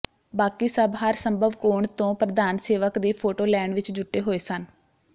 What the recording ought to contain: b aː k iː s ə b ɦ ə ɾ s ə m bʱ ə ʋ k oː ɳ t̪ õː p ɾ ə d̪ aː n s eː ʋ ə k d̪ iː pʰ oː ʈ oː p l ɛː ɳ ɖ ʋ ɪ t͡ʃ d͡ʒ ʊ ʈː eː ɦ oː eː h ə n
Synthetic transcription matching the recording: b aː k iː s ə b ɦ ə ɾ s ə m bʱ ə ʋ k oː ɳ t̪ õː p ɾ ə d̪ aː n s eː ʋ ə k d̪ iː pʰ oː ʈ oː l ɛː ɳ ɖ ʋ ɪ t͡ʃ d͡ʒ ʊ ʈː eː ɦ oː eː s ə n